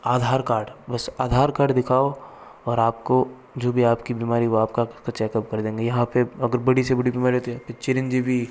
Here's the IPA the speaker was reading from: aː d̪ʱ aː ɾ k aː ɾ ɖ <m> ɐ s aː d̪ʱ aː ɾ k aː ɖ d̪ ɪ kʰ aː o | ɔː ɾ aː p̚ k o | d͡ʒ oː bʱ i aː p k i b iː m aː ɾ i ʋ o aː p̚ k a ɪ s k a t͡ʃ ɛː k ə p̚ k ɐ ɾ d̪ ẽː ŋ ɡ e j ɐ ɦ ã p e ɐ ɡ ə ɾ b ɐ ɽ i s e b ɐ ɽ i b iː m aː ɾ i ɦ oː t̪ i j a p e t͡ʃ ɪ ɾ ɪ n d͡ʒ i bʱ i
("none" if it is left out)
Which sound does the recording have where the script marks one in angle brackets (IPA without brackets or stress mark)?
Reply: b